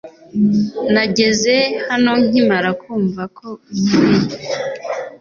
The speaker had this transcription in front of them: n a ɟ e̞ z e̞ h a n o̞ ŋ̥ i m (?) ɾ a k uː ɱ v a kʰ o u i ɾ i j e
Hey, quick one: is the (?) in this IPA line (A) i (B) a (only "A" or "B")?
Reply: B